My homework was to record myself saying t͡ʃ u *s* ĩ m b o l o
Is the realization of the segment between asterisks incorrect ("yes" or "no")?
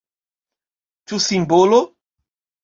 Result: no